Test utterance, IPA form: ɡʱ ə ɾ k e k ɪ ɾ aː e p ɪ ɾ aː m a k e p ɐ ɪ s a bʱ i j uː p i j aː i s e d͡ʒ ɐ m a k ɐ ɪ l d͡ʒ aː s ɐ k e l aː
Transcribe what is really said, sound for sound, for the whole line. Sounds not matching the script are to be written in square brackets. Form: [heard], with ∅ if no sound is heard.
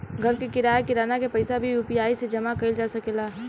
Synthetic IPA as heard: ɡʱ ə ɾ k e k ɪ ɾ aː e [k] ɪ ɾ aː [n] a k e p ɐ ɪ s a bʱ i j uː p i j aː i s e d͡ʒ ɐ m a k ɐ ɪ l d͡ʒ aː s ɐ k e l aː